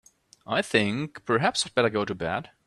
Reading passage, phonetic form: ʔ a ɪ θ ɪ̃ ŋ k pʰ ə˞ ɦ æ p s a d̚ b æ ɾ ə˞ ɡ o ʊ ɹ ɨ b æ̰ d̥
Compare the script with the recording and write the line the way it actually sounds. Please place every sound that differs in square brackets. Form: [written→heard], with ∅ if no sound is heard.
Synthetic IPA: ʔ a ɪ θ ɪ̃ ŋ k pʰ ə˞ ɦ æ p s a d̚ b [æ→ɛ] ɾ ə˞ ɡ o ʊ [ɹ→ɾ] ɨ b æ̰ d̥